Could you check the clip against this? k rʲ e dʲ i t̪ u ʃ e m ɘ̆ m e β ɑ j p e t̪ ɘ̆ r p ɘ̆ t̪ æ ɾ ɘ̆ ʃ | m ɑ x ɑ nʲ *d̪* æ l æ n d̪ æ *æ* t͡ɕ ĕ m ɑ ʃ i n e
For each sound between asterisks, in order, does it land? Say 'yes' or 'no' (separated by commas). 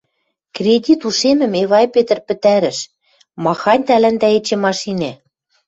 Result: no, no